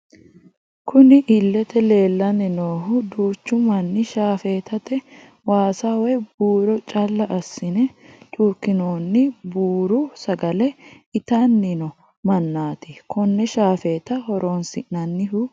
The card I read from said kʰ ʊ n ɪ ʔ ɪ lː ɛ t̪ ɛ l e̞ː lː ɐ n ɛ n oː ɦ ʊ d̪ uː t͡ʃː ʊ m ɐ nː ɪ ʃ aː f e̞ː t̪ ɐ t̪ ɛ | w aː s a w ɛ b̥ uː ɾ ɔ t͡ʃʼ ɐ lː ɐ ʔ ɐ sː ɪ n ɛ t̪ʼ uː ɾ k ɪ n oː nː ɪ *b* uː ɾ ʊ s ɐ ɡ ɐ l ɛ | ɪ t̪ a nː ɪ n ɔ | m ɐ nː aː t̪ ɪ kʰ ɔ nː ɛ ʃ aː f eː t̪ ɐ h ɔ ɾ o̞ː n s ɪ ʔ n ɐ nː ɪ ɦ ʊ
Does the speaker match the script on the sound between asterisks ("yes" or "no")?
yes